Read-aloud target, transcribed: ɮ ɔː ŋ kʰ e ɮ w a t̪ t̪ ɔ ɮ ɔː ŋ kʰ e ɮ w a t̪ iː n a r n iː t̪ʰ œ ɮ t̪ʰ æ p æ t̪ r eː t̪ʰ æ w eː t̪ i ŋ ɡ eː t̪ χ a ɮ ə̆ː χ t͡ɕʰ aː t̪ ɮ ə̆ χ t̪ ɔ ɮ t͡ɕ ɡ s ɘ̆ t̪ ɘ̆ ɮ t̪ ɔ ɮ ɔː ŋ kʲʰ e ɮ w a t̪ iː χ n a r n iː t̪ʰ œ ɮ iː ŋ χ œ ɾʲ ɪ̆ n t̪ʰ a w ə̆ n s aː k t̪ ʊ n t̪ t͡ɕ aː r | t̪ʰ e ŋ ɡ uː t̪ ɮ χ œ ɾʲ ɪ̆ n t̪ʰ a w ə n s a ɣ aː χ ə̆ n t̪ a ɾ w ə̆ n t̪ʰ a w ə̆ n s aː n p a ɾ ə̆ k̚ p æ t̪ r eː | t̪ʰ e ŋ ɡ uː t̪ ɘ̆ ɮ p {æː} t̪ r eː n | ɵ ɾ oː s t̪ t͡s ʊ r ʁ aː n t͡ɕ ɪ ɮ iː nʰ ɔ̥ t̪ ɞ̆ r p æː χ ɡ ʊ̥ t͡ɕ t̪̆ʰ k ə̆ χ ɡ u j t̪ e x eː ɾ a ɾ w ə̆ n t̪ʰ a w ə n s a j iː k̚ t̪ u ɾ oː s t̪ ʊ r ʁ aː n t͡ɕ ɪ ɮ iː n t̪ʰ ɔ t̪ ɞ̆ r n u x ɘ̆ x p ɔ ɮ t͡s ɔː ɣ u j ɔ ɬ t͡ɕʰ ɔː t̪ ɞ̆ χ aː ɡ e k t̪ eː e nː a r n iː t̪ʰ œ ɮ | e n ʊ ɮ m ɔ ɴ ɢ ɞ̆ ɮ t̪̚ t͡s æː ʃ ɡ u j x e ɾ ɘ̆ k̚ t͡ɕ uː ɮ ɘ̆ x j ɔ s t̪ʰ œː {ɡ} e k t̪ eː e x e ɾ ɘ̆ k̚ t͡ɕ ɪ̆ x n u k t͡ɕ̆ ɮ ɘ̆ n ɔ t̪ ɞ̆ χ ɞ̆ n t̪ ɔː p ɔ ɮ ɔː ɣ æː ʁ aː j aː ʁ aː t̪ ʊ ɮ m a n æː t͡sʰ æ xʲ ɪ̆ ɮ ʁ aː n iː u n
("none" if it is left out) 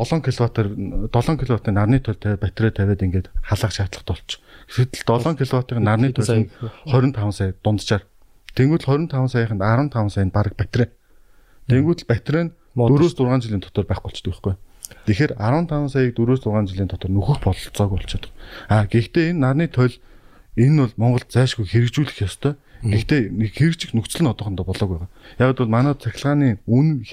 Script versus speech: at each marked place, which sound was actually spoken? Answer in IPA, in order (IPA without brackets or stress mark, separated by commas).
æ, ɡ